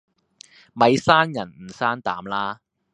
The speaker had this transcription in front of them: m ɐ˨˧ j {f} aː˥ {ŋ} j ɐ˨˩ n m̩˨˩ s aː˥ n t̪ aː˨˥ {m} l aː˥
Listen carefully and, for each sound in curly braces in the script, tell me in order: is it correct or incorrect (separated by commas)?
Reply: incorrect, incorrect, correct